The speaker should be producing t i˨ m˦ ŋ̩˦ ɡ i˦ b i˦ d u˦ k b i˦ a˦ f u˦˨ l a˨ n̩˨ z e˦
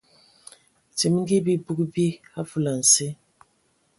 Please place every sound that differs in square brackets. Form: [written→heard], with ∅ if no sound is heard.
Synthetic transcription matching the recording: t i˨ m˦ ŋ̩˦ ɡ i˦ b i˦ [d→b] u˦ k b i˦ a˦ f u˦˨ l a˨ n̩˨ [z→s] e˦